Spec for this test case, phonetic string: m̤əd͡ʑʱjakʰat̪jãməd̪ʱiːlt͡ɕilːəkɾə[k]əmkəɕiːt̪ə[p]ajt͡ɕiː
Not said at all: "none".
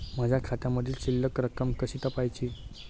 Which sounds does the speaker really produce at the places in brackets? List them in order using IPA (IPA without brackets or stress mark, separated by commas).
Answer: k, p